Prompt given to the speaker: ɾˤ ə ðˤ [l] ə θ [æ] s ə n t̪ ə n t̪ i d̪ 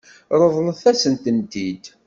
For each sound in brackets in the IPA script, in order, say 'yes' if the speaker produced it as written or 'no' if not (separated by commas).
yes, yes